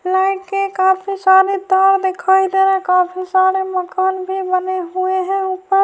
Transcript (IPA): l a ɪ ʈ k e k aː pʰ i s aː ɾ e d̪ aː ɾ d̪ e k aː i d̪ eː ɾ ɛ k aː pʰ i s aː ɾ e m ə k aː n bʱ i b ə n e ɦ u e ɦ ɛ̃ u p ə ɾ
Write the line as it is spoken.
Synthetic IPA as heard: l a ɪ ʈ k e k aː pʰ i s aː ɾ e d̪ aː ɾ d̪ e kʰ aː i d̪ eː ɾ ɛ k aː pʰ i s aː ɾ e m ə k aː n bʱ i b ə n e ɦ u e ɦ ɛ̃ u p ə ɾ